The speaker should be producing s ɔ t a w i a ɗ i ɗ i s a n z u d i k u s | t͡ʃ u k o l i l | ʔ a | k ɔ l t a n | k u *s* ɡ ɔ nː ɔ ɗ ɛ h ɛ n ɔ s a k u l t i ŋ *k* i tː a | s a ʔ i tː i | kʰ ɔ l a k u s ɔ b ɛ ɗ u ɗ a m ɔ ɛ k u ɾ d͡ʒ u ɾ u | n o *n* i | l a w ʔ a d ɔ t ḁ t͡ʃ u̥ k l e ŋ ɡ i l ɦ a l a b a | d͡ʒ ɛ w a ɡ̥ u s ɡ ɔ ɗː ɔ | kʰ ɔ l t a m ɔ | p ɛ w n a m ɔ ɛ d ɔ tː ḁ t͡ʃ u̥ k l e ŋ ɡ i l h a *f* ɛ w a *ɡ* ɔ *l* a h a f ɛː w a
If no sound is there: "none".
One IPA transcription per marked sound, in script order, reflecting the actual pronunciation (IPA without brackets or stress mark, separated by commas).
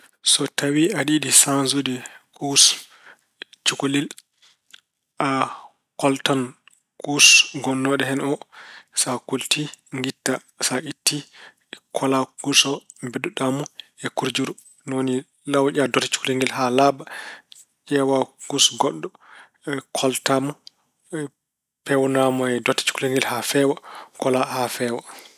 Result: s, ɡ, n, f, k, l